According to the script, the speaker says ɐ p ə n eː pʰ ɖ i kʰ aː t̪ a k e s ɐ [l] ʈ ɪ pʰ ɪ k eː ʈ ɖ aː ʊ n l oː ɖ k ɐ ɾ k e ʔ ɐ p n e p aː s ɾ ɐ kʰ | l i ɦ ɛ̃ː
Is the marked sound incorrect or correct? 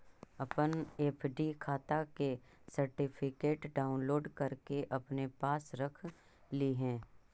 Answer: incorrect